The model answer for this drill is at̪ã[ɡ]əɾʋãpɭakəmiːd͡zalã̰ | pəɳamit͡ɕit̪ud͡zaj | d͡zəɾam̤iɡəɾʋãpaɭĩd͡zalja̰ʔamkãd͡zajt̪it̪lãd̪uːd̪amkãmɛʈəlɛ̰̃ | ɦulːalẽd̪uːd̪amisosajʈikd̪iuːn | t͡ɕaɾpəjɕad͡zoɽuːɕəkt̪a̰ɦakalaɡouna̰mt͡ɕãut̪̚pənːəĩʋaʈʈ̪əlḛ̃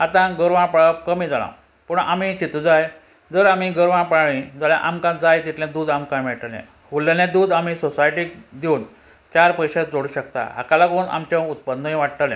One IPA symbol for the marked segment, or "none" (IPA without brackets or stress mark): ɡ